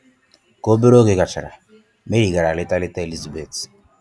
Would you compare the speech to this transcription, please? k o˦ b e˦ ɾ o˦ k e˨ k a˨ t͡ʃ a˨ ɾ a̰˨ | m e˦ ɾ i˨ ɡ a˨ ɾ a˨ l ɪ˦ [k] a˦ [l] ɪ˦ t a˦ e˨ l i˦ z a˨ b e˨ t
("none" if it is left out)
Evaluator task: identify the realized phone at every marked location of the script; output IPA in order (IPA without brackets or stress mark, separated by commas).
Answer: t, l